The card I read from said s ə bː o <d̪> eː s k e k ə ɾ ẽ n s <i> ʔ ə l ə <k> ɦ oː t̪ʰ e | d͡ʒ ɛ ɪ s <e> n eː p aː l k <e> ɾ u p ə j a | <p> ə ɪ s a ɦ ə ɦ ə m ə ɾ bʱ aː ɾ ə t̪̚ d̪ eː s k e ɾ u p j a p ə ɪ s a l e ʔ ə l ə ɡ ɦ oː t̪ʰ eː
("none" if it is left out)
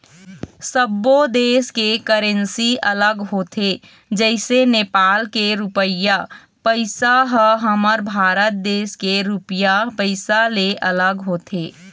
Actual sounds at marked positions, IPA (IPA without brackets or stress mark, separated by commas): d̪, i, ɡ, e, e, p